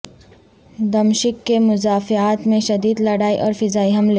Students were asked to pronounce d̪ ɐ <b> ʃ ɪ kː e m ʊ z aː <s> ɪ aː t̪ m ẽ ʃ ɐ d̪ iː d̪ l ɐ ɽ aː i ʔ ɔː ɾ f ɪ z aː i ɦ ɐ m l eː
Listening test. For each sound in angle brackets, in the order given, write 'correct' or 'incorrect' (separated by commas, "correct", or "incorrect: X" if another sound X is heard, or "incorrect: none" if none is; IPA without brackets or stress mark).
incorrect: m, incorrect: f